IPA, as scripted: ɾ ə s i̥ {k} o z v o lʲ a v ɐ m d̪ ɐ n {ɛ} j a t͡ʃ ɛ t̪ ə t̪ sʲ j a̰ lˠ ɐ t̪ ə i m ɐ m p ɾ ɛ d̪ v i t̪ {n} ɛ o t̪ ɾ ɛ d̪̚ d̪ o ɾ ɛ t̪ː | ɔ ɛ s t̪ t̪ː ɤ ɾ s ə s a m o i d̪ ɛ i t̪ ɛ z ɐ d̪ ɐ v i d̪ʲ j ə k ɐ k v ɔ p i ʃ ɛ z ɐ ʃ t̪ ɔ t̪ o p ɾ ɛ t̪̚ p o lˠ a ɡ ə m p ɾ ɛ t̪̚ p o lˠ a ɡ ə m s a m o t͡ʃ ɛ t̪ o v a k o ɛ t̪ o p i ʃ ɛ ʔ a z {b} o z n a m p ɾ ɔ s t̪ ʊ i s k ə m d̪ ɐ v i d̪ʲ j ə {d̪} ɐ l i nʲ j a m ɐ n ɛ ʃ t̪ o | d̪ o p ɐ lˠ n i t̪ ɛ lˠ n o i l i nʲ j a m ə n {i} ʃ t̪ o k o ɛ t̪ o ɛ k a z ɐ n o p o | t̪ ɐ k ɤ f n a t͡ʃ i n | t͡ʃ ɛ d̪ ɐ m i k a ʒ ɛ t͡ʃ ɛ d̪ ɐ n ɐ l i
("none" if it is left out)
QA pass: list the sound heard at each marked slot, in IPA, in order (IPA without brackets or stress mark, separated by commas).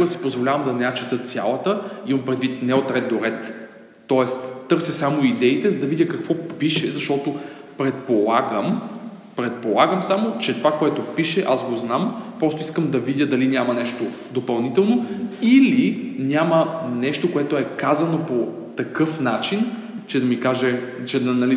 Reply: p, ɛ, n, ɡ, d̪, ɛ